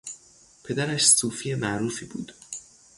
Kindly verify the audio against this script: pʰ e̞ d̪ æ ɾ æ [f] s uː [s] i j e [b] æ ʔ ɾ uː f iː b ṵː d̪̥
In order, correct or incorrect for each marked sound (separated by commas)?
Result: incorrect, incorrect, incorrect